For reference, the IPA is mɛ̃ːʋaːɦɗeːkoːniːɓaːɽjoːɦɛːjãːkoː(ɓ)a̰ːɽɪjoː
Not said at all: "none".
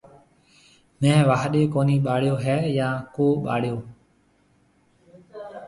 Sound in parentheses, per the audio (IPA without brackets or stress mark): ɓ